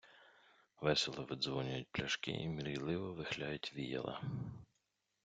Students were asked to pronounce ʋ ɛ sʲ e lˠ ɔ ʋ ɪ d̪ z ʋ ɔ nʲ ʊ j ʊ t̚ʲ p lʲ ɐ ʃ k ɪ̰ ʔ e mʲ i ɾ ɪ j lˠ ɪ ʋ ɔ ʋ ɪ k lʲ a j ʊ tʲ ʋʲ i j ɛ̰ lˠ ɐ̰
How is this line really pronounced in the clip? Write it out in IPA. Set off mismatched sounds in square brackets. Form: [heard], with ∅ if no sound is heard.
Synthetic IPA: ʋ ɛ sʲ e lˠ ɔ ʋ ɪ d̪ z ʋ ɔ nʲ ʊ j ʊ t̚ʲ p lʲ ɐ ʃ k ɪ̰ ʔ [i] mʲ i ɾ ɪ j lˠ ɪ ʋ ɔ ʋ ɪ [x] lʲ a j ʊ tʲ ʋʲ i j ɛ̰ lˠ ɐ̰